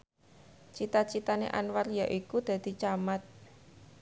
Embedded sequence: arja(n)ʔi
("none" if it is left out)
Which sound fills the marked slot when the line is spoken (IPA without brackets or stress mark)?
none